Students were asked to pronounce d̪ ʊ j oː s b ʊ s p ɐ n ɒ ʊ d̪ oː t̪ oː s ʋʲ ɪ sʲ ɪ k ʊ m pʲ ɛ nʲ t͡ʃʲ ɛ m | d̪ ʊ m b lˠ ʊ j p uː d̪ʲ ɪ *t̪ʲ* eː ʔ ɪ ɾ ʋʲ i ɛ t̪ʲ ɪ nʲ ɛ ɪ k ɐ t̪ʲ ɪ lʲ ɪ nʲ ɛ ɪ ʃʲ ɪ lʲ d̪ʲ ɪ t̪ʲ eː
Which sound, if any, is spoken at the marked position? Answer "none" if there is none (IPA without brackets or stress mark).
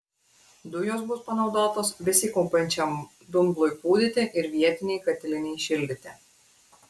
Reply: t̪ʲ